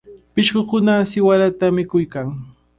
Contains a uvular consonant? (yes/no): no